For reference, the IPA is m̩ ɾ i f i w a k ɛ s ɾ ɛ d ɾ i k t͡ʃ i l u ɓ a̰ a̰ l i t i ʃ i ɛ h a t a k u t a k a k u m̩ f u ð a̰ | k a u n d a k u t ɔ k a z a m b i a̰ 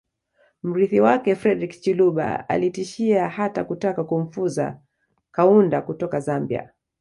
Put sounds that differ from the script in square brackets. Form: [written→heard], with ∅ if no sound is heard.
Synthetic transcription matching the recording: m̩ ɾ i [f→θ] i w a k ɛ [s→f] ɾ ɛ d ɾ i k t͡ʃ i l u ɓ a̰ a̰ l i t i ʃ i [ɛ→a] h a t a k u t a k a k u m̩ f u [ð→z] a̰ | k a u n d a k u t ɔ k a z a m b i a̰